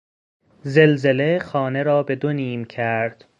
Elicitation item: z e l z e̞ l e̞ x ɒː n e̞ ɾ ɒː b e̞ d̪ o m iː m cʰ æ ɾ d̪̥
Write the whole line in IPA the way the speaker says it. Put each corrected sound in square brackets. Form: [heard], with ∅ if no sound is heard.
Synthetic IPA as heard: z e l z e̞ l e̞ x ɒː n e̞ ɾ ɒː b e̞ d̪ o [n] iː m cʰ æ ɾ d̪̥